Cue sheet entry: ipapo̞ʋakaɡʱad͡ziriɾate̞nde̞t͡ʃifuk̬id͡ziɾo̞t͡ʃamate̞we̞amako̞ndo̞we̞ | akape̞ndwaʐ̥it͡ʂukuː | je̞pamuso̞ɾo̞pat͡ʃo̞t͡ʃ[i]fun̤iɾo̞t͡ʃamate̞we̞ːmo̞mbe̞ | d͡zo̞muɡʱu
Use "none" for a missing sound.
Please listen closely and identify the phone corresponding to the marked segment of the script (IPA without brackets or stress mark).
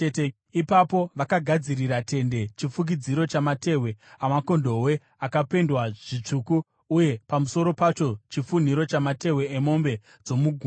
i